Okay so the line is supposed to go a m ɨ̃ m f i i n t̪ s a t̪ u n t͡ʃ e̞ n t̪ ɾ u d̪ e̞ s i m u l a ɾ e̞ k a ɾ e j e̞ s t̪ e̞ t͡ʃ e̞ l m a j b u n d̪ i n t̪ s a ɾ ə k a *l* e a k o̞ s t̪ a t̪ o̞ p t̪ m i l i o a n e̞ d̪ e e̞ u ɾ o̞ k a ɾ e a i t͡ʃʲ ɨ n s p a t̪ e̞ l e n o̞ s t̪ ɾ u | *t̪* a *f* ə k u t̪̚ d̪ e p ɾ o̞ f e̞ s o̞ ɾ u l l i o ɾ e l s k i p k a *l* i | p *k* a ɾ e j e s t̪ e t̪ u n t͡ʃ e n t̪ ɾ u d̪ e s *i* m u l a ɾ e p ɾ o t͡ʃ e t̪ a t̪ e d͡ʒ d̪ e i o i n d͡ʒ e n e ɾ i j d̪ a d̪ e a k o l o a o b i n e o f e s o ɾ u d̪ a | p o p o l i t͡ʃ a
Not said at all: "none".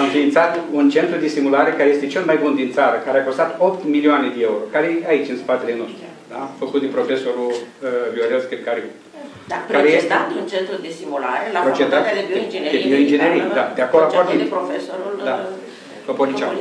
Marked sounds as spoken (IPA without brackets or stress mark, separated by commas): ɾ, d̪, f, ɾ, k, i